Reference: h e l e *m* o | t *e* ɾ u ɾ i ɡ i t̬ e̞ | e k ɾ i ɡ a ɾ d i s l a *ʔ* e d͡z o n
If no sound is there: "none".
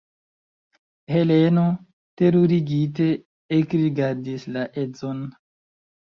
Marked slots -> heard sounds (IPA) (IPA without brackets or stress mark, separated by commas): n, e, ʔ